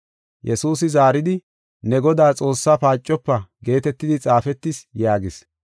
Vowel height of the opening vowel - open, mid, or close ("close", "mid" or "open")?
mid